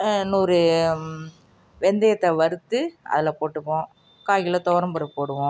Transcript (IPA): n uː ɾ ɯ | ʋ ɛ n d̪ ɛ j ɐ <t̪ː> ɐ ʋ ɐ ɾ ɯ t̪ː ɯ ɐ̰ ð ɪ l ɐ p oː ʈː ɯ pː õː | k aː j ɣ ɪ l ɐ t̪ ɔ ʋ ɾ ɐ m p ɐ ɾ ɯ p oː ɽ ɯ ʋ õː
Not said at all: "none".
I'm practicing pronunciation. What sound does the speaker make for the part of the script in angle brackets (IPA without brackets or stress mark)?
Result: t̪ː